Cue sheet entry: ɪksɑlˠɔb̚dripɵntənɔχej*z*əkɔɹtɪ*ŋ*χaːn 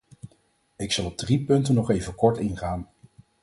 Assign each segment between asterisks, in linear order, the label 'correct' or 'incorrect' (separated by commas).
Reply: incorrect, incorrect